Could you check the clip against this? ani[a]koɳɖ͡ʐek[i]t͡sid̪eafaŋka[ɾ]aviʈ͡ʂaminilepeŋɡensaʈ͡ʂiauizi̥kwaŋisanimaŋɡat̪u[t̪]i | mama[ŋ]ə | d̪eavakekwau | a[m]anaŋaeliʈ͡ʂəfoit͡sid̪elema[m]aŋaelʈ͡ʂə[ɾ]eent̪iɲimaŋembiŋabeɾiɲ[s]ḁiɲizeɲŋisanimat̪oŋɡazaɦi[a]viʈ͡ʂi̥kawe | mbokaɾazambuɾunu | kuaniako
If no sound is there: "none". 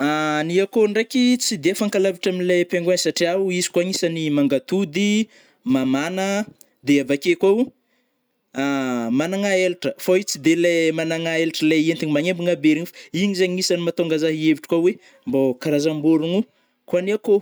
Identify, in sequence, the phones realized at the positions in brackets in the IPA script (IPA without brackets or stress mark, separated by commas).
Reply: a, i, l, d̪, n, m, n, l, f, e